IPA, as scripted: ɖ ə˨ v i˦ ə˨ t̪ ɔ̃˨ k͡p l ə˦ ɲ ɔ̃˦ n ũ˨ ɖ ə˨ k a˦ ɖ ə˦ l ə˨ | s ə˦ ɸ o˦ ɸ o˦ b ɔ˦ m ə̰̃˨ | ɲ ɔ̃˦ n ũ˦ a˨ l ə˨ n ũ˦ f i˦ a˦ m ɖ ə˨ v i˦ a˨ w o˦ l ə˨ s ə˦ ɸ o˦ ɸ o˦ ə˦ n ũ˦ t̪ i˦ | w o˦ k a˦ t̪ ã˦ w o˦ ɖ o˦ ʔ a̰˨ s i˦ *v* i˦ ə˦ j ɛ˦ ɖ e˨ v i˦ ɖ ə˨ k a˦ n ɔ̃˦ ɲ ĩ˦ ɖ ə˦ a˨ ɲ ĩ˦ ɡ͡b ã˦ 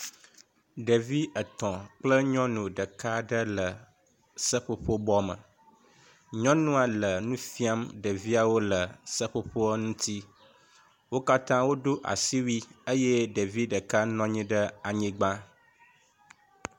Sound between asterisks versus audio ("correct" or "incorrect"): incorrect